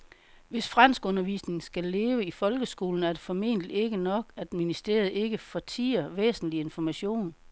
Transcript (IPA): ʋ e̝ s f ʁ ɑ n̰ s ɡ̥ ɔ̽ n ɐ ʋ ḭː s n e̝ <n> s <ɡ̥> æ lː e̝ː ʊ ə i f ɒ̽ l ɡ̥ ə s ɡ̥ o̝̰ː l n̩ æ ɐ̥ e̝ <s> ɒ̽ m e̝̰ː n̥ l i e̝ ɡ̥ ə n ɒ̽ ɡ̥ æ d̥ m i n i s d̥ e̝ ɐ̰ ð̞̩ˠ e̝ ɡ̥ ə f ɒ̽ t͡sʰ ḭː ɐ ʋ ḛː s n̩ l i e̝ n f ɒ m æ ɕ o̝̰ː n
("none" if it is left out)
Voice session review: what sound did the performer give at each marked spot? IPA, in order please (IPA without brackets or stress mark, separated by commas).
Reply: ŋ, ɡ̥, f